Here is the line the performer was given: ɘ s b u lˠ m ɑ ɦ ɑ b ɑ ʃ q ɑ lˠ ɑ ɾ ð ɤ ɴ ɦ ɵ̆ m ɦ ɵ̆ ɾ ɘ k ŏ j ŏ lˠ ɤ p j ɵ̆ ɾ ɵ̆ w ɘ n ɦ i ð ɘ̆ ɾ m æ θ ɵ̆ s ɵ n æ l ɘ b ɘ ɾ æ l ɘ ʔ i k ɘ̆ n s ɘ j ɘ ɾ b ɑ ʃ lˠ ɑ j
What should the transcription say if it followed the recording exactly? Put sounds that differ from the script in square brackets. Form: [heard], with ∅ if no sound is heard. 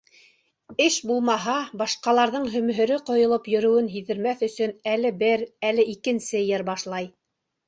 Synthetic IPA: ɘ [ʃ] b u lˠ m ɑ ɦ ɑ b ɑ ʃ q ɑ lˠ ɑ ɾ ð ɤ ɴ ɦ ɵ̆ m ɦ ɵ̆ ɾ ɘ [q] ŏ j ŏ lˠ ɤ p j ɵ̆ ɾ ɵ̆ w ɘ n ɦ i ð ɘ̆ ɾ m æ θ ɵ̆ s ɵ n æ l ɘ b ɘ ɾ æ l ɘ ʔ i k ɘ̆ n s ɘ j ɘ ɾ b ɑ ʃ lˠ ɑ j